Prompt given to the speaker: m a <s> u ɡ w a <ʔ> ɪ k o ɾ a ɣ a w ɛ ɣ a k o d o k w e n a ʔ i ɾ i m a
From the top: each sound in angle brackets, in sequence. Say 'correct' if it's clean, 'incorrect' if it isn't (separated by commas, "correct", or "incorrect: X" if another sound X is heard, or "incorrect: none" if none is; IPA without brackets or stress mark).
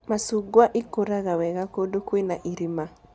correct, correct